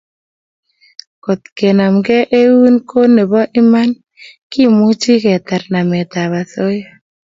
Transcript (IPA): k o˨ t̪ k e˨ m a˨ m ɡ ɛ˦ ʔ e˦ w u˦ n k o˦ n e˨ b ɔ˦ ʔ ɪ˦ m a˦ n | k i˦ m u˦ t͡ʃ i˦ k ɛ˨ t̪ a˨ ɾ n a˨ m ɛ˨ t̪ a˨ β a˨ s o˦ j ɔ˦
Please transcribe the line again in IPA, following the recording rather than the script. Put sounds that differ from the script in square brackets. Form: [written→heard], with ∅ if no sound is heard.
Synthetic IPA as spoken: k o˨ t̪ k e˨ [m→n] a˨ m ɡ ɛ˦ ʔ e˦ w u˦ n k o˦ n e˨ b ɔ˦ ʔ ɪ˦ m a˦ n | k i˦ m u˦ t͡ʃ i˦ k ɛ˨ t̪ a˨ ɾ n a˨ m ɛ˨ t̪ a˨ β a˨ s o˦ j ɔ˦